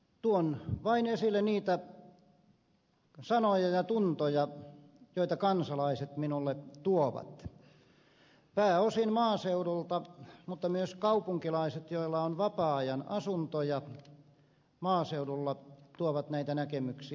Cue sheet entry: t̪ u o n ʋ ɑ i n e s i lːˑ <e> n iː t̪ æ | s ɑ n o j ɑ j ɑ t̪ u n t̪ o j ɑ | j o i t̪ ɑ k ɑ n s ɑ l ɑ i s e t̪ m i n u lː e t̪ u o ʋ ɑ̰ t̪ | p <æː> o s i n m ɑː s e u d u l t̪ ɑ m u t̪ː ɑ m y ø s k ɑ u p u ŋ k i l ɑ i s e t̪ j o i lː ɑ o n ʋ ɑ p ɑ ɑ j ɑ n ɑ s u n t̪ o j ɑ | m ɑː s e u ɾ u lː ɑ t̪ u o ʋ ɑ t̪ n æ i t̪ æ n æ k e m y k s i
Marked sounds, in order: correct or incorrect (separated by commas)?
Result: correct, correct